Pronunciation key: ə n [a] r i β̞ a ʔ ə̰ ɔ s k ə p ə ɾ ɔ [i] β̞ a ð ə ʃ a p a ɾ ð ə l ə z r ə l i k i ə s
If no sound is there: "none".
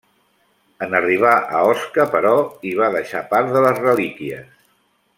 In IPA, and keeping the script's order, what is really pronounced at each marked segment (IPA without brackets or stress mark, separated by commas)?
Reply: ə, i